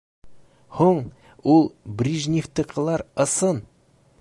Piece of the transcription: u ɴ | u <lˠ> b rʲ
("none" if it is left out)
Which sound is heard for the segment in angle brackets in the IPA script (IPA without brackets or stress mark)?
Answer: lˠ